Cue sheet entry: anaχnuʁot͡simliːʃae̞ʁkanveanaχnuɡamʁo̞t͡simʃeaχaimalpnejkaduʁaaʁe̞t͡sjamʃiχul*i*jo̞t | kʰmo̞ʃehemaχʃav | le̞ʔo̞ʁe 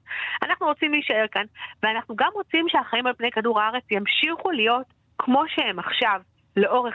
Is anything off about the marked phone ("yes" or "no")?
no